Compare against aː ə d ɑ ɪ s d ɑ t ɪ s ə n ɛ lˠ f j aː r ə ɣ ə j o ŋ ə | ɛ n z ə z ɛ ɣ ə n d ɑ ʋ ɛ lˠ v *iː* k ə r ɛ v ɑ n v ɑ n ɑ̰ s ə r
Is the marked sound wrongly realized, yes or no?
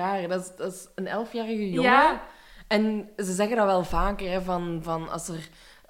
yes